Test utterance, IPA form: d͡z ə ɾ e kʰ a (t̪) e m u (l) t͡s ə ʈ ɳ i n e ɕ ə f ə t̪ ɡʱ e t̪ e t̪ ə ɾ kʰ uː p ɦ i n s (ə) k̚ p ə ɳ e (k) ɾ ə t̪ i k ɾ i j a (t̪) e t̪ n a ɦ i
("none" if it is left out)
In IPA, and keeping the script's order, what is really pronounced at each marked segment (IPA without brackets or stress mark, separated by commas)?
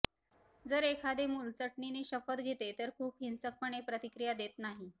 d̪, l, ə, p, d̪